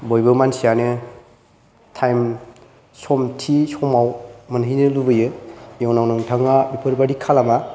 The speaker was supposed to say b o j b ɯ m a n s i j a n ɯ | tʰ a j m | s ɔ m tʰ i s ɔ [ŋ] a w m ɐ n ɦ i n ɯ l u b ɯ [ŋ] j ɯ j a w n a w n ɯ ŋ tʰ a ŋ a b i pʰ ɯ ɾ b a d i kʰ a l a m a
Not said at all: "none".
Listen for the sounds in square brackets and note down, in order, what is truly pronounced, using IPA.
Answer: m, none

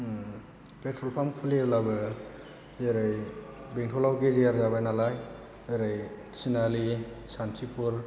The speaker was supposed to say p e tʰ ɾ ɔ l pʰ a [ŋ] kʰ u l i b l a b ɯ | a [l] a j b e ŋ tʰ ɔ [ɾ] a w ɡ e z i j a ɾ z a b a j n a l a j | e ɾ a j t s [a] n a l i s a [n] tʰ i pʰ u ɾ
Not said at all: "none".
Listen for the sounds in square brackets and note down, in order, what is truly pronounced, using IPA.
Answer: m, ɾ, l, i, n

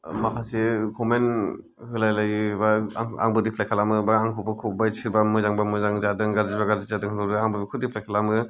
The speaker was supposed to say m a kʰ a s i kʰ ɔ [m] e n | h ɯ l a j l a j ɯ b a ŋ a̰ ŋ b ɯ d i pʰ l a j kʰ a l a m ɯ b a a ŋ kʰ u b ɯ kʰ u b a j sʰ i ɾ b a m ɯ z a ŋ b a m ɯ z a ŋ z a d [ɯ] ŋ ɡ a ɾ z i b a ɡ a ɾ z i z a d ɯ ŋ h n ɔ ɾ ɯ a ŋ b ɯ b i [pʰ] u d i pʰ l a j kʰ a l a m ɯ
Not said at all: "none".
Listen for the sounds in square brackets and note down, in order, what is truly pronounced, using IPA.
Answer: m, ɯ, kʰ

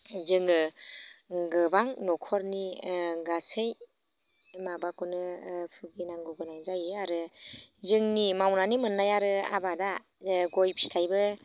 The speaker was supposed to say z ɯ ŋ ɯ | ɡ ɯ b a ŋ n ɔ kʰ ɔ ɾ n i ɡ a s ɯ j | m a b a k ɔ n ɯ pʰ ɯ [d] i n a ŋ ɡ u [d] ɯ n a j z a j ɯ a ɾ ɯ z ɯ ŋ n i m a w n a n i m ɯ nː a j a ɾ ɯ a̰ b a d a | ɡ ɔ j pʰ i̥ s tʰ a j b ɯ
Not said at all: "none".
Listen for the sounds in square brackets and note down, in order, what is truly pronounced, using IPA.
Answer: ɡ, ɡ

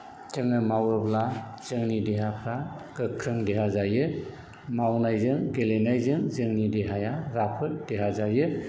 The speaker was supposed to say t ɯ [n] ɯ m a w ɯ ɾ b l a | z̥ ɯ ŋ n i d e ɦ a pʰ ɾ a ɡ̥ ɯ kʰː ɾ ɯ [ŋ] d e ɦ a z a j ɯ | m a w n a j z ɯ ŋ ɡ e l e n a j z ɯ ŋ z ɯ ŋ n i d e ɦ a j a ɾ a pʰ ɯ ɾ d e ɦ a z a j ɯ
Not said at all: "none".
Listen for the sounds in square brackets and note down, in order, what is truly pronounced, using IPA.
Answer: ŋ, ŋ

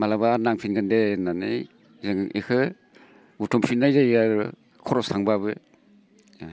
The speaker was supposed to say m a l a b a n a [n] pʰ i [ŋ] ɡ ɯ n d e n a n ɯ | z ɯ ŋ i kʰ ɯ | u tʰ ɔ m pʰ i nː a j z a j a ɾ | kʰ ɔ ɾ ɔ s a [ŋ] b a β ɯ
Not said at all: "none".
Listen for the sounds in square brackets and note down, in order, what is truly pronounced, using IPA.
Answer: ŋ, n, ŋ

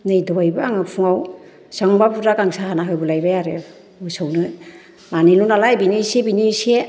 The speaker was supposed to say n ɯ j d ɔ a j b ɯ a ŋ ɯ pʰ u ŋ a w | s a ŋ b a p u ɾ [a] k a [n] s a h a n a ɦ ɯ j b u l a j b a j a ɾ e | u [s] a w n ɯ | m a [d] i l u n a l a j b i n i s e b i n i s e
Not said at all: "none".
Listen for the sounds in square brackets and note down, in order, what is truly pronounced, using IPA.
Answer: a, ŋ, s, n

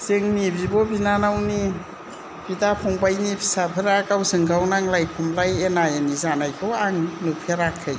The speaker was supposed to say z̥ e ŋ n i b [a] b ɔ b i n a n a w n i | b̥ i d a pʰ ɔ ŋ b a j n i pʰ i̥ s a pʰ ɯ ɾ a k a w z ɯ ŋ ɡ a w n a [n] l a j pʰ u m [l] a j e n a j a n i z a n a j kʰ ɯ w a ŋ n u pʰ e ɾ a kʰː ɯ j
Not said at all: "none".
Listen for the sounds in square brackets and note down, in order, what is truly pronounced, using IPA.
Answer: i, ŋ, l

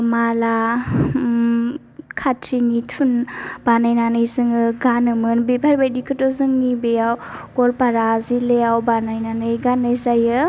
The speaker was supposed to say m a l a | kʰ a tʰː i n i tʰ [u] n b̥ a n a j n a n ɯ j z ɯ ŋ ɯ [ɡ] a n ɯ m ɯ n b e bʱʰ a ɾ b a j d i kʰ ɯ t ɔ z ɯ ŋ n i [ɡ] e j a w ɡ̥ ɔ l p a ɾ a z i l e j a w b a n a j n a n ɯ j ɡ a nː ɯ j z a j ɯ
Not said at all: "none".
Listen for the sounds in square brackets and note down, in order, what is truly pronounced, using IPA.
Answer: u, ɡ, b

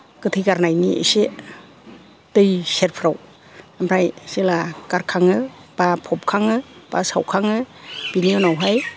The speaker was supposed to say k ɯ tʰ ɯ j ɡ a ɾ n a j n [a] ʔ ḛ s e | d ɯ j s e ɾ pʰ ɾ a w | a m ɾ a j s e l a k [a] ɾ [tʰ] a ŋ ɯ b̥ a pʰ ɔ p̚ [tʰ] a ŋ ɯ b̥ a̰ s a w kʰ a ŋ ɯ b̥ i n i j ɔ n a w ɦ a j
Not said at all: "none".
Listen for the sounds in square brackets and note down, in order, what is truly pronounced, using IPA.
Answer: i, a, kʰ, kʰ

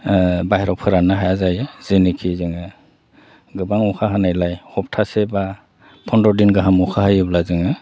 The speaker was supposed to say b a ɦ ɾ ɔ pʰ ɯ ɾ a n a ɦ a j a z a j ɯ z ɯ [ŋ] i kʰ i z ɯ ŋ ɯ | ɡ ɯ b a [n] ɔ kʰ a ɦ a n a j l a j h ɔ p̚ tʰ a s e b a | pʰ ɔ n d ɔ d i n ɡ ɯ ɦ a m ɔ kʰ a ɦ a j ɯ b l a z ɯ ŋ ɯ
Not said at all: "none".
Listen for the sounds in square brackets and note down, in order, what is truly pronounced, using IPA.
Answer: n, ŋ

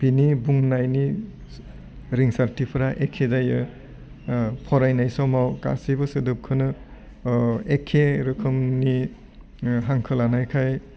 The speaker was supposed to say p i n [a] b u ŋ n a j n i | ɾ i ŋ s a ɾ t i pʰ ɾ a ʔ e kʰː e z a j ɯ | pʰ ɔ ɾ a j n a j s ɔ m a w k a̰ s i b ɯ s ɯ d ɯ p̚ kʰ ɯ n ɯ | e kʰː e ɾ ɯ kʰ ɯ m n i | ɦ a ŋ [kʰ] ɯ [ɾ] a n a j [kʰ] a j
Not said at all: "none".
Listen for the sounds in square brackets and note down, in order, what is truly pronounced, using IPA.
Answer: i, kʰ, l, kʰ

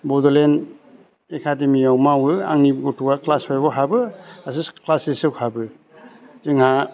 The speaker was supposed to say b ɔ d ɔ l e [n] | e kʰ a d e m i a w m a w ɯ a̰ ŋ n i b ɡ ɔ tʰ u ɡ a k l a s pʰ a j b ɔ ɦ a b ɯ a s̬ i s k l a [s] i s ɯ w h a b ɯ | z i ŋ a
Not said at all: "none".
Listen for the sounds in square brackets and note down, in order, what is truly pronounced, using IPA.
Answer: n, s

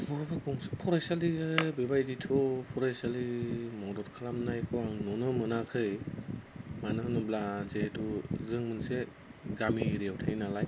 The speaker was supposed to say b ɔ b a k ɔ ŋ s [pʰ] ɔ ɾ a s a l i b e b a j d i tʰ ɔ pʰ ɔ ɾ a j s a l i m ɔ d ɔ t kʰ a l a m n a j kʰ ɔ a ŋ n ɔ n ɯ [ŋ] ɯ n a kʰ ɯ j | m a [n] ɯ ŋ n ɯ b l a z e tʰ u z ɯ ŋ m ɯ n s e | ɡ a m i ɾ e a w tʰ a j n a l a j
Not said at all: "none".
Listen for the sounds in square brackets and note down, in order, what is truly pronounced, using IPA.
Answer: pʰ, m, n

